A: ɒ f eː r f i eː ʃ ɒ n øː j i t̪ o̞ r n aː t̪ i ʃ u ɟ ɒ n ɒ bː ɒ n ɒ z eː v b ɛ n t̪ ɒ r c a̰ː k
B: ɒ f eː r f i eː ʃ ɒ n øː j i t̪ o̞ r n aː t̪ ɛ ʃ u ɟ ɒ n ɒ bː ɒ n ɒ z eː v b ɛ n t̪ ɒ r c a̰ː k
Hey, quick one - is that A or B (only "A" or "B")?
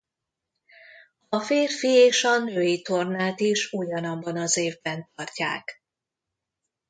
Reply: A